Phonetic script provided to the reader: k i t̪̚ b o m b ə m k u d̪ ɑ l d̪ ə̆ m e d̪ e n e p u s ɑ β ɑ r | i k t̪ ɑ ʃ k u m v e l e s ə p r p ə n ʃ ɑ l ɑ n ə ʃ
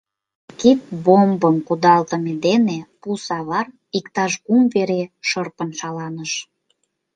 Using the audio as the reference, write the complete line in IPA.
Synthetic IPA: k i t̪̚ b o m b ə m k u d̪ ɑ l t̪ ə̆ m e d̪ e n e p u s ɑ β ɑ r | i k t̪ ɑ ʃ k u m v e ɾ e ʃ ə r p ə n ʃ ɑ l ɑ n ə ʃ